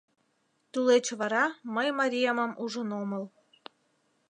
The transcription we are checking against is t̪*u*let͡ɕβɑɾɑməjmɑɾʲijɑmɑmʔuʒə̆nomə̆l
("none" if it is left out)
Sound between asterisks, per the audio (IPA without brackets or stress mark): u